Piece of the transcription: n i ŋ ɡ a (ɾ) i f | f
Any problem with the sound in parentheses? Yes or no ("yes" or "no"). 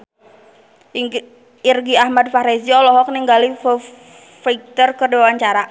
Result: yes